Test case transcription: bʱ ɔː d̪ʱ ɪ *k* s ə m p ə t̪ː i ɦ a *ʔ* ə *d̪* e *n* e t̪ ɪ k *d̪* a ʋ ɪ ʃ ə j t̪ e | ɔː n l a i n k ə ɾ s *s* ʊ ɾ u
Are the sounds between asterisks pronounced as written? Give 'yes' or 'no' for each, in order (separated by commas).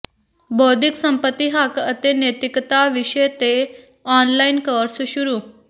yes, no, no, yes, no, no